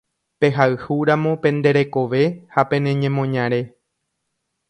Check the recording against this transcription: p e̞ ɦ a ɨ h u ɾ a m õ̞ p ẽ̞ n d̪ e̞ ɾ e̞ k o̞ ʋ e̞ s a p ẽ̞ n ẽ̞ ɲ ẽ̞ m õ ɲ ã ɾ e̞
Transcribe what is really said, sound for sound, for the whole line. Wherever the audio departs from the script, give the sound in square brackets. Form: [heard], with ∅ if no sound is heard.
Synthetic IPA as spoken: p e̞ ɦ a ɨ h u ɾ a m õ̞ p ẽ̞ n d̪ e̞ ɾ e̞ k o̞ ʋ e̞ [h] a p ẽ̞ n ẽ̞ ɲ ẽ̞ m õ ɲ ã ɾ e̞